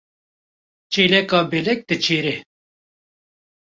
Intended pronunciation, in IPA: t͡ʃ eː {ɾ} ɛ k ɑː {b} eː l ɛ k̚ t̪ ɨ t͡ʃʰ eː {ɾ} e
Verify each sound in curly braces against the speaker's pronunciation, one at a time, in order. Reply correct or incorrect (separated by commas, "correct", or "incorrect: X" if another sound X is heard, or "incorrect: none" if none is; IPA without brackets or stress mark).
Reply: incorrect: l, correct, correct